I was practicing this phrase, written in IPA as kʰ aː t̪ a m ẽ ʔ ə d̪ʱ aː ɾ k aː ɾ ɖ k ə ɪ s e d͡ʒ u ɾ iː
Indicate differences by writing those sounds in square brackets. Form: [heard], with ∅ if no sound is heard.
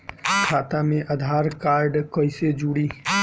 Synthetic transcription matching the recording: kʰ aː t̪ a m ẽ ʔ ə d̪ʱ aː ɾ k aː ɾ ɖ k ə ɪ s e d͡ʒ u [ɽ] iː